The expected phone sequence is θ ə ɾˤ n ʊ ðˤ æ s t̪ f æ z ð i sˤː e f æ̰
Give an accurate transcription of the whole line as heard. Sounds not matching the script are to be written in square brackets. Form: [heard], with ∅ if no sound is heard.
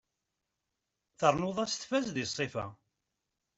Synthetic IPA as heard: θ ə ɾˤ n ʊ ðˤ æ s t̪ f æ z ð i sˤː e f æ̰